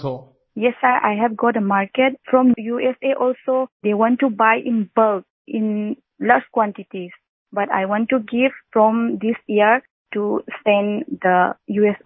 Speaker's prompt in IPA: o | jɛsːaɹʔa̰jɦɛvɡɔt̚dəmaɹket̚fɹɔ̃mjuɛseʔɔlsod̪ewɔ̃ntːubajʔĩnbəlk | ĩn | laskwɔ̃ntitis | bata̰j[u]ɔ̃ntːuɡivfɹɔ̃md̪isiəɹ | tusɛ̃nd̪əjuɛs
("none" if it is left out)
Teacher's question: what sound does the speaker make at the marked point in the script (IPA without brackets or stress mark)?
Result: w